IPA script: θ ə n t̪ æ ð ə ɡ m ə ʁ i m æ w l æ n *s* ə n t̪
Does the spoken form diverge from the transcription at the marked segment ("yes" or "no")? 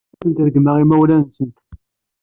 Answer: no